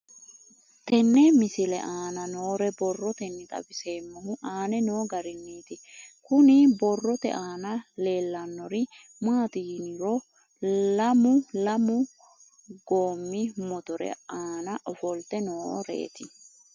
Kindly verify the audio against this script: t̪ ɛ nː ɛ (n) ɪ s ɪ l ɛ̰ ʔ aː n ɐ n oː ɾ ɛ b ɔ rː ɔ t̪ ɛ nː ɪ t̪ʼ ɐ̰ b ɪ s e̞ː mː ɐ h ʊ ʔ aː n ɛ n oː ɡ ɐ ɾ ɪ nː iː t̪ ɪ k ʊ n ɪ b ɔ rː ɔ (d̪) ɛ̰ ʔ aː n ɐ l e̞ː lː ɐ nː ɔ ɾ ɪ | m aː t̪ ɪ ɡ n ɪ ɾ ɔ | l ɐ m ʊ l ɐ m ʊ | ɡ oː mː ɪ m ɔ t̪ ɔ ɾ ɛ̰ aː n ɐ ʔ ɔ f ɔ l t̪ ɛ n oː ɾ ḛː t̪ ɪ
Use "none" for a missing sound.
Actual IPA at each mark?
m, t̪

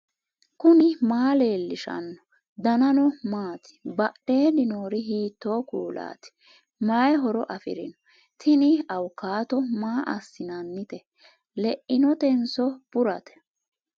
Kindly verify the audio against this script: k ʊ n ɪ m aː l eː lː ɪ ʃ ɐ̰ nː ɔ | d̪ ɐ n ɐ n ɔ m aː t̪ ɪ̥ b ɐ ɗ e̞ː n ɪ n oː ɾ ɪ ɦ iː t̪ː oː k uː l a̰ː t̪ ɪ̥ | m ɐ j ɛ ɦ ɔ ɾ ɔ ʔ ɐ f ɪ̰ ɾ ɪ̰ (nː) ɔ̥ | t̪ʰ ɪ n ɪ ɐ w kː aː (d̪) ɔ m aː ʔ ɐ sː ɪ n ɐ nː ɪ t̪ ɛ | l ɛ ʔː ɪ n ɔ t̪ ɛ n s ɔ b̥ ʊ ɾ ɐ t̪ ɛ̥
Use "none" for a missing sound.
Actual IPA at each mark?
n, t̪

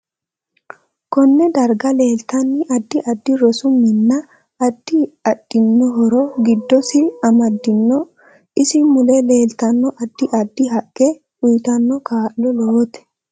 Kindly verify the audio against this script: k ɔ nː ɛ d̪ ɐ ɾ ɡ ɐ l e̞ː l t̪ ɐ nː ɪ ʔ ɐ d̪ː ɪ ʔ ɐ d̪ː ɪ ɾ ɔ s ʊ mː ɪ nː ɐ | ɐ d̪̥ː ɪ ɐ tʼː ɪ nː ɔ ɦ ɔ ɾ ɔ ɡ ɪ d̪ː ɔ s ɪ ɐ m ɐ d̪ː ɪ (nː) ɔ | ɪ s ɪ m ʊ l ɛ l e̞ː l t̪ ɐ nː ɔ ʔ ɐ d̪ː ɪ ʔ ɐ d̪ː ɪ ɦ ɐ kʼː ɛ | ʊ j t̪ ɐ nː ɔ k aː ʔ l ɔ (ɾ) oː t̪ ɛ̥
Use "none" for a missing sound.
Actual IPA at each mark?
nː, l

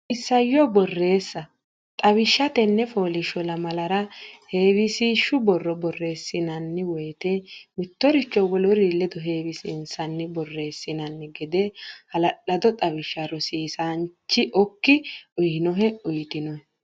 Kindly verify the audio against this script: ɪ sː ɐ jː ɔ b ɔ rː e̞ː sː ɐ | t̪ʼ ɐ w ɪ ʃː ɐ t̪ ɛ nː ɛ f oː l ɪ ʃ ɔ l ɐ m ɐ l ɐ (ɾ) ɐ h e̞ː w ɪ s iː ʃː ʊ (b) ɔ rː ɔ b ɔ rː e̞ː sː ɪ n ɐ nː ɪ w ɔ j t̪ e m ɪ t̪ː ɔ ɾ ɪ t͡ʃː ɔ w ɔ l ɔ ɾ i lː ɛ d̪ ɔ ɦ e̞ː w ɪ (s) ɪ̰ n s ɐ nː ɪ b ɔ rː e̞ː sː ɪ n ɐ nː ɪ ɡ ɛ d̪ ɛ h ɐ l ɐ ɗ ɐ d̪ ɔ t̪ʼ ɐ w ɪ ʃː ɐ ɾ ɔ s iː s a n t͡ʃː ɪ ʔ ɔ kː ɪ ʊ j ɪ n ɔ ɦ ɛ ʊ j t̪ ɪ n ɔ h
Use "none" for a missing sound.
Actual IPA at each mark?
ɾ, b, s

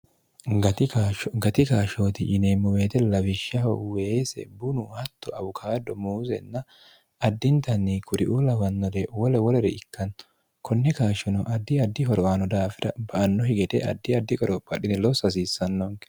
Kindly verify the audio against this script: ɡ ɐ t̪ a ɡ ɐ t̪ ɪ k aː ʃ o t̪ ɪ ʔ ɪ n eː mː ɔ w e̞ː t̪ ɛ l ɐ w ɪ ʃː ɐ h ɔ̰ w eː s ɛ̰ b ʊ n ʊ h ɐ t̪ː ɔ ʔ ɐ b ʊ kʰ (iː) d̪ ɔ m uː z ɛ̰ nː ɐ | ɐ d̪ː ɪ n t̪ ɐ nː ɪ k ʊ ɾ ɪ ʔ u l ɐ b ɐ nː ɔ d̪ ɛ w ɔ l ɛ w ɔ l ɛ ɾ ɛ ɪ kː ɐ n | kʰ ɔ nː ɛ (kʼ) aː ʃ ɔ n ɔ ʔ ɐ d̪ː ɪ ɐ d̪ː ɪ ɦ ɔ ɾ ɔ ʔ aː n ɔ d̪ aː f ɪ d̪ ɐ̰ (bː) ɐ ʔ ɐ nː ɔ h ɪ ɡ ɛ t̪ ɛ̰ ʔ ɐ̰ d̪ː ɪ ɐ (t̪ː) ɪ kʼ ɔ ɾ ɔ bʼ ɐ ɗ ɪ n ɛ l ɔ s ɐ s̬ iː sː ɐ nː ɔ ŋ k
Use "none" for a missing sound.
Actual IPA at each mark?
aː, k, b, d̪ː

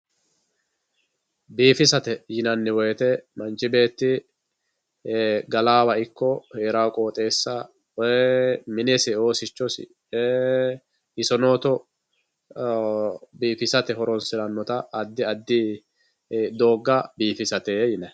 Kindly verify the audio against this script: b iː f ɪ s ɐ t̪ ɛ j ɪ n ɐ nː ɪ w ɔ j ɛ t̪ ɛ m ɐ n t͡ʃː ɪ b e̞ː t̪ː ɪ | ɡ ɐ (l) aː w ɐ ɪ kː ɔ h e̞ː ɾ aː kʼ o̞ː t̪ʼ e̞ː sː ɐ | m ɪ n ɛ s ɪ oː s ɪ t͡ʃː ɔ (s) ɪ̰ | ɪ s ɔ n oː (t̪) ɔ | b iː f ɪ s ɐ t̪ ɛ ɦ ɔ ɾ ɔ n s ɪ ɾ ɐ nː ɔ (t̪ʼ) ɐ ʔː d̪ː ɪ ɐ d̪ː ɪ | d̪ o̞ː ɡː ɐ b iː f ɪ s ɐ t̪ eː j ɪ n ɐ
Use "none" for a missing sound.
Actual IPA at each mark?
l, s, t̪, t̪

